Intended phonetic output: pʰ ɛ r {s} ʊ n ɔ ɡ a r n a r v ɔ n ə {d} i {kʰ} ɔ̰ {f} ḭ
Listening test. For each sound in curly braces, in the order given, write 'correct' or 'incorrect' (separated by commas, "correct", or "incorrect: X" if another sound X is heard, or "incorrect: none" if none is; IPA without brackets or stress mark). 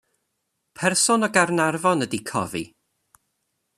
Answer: correct, correct, correct, incorrect: v